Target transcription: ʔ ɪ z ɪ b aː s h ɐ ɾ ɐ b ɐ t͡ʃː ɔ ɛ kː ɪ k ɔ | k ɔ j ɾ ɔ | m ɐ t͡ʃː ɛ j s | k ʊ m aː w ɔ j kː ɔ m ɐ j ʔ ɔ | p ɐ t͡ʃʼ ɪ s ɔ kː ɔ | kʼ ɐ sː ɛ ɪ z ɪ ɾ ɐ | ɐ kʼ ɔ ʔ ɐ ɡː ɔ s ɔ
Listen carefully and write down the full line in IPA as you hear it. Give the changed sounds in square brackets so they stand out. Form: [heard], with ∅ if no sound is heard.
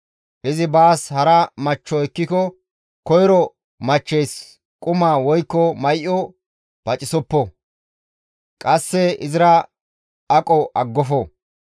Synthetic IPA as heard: ʔ ɪ z ɪ b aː s h ɐ ɾ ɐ [m] ɐ t͡ʃː ɔ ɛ kː ɪ k ɔ | k ɔ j ɾ ɔ | m ɐ t͡ʃː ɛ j s | [kʼ] ʊ m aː w ɔ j kː ɔ m ɐ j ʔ ɔ | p ɐ t͡ʃʼ ɪ s ɔ [pː] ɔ | kʼ ɐ sː ɛ ɪ z ɪ ɾ ɐ | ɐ kʼ ɔ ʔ ɐ ɡː ɔ [f] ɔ